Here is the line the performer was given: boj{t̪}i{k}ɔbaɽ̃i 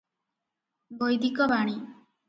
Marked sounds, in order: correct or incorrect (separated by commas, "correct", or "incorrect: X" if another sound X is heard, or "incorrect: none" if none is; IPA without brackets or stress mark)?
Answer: incorrect: d̪, correct